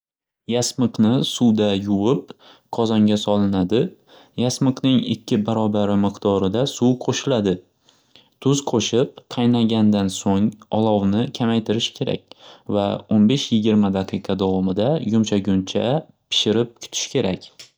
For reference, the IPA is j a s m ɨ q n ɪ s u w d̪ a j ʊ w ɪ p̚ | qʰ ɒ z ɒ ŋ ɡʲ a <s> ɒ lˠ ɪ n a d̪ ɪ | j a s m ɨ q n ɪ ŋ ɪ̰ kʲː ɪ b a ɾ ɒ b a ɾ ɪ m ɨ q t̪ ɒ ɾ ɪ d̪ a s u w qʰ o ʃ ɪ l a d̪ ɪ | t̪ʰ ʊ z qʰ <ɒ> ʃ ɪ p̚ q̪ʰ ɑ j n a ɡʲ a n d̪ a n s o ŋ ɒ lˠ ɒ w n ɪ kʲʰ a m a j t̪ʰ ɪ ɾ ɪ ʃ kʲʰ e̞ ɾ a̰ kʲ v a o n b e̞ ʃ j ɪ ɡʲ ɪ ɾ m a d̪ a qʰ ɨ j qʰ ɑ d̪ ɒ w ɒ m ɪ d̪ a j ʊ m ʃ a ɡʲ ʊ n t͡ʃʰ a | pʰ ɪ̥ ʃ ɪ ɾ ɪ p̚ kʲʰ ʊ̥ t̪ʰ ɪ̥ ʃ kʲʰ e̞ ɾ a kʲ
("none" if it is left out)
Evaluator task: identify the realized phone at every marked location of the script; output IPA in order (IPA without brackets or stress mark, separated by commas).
s, o